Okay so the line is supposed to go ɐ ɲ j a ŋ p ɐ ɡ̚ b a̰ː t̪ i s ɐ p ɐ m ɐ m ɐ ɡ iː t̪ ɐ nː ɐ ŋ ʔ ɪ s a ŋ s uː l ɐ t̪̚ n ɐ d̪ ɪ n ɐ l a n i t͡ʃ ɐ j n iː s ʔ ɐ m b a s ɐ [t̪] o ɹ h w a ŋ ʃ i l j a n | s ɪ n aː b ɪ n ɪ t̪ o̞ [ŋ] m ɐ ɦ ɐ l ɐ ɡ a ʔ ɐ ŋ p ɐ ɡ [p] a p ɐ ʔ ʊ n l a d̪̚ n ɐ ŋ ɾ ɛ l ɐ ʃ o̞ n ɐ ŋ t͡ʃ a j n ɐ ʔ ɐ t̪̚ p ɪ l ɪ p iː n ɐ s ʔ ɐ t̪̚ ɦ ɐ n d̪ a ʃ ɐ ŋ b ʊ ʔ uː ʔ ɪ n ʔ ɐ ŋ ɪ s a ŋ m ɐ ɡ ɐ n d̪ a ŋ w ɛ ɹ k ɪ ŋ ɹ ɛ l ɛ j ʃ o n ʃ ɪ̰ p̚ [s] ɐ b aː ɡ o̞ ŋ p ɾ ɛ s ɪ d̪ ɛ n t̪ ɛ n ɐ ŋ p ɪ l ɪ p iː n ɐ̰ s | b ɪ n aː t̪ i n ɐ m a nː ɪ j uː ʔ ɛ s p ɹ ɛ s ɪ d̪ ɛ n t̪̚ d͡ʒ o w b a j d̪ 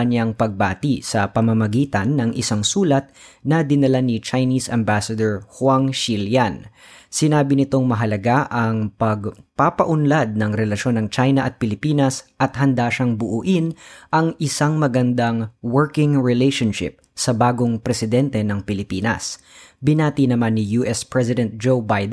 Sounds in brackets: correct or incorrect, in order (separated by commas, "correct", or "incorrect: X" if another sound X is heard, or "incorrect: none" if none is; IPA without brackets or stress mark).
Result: incorrect: d̪, correct, correct, correct